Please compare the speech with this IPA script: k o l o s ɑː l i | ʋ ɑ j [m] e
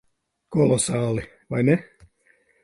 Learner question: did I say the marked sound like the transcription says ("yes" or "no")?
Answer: no